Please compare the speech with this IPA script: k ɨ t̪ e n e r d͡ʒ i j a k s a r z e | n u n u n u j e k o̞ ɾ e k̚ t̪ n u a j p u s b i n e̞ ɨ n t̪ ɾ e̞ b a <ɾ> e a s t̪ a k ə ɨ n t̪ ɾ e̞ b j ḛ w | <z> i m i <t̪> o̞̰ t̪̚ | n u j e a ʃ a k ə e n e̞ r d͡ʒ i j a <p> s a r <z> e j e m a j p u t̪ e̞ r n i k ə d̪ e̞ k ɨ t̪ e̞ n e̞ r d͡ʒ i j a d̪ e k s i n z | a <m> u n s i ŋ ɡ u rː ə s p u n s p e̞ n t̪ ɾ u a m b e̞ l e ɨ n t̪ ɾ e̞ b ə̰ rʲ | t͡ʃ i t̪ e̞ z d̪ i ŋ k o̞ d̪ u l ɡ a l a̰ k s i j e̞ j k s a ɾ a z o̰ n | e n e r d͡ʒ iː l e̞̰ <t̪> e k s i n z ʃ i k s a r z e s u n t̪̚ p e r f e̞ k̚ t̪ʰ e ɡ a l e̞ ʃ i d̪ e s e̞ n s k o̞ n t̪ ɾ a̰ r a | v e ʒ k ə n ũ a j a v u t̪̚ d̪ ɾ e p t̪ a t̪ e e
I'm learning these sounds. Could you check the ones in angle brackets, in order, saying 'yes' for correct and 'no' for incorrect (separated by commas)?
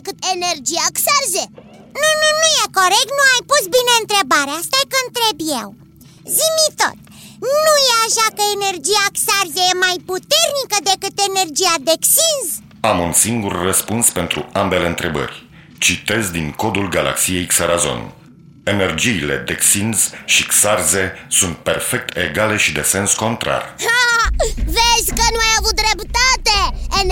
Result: yes, yes, yes, no, yes, yes, no